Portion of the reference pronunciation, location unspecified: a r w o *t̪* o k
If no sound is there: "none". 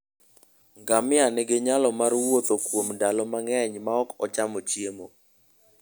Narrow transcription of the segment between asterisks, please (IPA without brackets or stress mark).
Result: t̪